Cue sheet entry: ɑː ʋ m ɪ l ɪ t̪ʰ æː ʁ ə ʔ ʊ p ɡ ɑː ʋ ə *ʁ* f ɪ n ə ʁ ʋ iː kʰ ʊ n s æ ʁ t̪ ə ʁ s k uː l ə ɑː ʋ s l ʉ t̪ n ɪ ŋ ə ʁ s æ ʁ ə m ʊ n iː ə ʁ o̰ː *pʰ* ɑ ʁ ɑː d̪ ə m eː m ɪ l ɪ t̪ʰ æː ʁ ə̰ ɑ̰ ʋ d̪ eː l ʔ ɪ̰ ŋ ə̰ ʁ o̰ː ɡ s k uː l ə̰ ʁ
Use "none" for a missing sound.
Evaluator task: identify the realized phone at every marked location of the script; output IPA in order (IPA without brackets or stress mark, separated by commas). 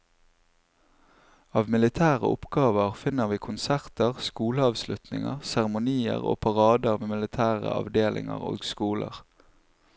ʁ, pʰ